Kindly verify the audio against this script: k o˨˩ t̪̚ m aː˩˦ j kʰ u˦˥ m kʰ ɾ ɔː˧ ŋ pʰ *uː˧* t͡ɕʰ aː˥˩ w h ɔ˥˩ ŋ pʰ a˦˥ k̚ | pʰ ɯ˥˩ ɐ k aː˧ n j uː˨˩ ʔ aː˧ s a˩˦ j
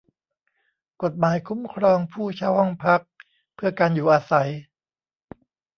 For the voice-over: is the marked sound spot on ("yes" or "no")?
no